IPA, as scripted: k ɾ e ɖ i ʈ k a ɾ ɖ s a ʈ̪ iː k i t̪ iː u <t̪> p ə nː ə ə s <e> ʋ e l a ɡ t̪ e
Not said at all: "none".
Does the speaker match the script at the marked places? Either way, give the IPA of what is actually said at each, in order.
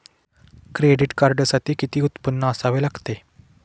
t̪, a

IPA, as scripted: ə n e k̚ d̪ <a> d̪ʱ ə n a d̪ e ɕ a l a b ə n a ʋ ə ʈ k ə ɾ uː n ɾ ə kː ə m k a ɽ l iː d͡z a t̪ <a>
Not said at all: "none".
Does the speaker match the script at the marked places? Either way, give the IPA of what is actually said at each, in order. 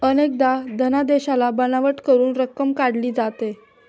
a, e

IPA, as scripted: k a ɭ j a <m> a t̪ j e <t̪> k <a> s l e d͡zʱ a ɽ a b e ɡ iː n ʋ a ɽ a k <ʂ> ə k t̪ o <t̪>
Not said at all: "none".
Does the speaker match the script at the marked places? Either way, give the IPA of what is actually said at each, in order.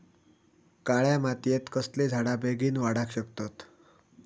m, t̪, ə, ɕ, t̪

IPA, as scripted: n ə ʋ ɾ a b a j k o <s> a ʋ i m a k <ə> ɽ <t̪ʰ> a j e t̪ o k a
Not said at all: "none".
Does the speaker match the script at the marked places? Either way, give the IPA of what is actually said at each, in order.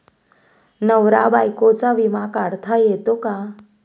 t͡s, a, t̪ʰ

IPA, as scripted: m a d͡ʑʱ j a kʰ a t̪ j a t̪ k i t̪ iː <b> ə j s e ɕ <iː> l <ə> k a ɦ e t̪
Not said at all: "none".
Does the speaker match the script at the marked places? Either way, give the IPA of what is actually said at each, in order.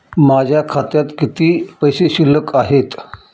p, i, ə

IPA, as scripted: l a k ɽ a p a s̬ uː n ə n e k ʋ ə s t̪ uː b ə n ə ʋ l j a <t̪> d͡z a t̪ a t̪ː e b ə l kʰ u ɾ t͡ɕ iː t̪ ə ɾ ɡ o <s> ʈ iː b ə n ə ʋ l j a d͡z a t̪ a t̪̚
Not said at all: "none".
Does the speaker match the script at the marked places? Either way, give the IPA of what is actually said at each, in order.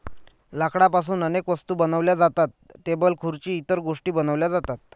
none, ʂ

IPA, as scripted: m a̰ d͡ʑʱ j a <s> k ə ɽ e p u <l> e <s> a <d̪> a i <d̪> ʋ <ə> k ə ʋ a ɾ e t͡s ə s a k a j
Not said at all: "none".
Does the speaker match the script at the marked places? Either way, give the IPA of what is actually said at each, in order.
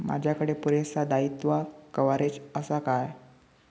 none, ɾ, s, d̪, t̪, a

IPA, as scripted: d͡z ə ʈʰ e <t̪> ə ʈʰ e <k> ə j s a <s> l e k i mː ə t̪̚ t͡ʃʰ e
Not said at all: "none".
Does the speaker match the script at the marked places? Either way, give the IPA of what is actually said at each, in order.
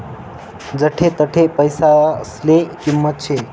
t̪, p, s

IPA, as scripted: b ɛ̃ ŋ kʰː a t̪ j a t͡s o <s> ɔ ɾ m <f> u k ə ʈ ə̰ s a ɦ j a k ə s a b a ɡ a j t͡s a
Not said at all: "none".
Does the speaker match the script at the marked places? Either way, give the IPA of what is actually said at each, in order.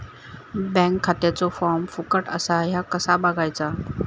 f, f

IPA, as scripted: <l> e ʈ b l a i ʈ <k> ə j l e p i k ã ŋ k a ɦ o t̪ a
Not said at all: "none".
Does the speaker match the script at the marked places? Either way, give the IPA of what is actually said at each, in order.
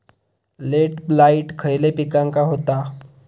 l, kʰ

